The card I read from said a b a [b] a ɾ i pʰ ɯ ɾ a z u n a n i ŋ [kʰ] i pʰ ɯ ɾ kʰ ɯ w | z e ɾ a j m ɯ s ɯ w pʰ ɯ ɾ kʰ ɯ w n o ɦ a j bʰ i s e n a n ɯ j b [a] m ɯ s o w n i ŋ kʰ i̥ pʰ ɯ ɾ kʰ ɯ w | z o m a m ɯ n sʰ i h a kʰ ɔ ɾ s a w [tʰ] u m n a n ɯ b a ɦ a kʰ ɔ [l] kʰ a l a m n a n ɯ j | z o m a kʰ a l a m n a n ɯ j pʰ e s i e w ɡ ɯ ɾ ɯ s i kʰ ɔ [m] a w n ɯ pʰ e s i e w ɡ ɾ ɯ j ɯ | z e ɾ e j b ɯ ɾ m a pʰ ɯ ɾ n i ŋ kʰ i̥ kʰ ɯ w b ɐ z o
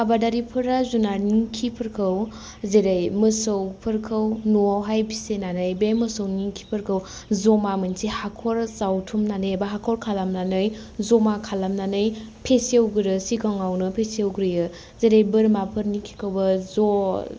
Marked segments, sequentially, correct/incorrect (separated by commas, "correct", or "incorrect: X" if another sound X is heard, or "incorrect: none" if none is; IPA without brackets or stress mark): incorrect: d, correct, incorrect: e, correct, incorrect: ɾ, incorrect: ŋ